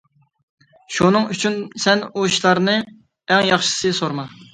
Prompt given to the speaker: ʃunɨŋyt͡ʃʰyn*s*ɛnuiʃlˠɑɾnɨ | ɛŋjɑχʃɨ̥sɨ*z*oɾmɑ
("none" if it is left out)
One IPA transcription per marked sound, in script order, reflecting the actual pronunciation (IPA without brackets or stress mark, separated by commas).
s, s